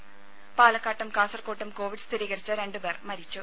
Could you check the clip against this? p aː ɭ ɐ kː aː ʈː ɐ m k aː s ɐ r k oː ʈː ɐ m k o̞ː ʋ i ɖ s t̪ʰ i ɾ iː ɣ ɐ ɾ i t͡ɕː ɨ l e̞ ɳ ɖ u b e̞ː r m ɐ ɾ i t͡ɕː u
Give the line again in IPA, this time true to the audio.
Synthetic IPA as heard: p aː l ɐ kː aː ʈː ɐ m k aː s ɐ r k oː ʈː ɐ m k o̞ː ʋ i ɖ s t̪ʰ i ɾ iː ɣ ɐ ɾ i t͡ɕː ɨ ɾ e̞ ɳ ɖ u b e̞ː r m ɐ ɾ i t͡ɕː u